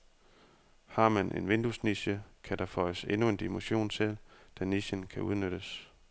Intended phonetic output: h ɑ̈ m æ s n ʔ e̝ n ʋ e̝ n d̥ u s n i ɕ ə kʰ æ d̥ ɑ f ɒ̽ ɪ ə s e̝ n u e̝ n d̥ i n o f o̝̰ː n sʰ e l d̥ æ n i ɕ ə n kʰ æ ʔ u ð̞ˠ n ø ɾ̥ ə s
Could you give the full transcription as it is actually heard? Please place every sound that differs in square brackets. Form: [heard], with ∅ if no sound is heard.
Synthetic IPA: h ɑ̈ m æ [∅] n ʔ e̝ n ʋ e̝ n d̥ u s n i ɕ ə kʰ æ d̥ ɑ f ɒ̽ ɪ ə s e̝ n u e̝ n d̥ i [m] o [ɕ] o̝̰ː n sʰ e l d̥ æ n i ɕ ə n kʰ æ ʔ u ð̞ˠ n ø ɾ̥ ə s